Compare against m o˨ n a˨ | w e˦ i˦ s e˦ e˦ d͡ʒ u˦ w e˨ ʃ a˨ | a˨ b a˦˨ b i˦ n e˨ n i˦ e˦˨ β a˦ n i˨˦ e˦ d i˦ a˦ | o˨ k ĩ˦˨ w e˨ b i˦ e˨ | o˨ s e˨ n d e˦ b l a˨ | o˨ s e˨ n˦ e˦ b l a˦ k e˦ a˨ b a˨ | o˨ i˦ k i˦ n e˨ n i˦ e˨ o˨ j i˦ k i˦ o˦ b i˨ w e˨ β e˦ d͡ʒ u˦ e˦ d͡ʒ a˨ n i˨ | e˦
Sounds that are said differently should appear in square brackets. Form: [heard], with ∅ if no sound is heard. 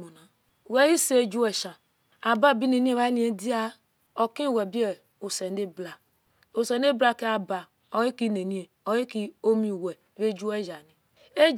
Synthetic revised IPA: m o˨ n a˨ | w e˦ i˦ s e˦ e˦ d͡ʒ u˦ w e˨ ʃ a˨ | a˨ b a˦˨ b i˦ n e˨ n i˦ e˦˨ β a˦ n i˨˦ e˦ d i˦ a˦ | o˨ k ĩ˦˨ w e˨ b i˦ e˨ | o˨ s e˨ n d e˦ b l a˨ | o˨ s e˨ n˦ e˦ b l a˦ k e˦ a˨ b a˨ | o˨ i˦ k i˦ n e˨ n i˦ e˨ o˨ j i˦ k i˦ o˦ [m] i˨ w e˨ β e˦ d͡ʒ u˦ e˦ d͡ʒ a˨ n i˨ | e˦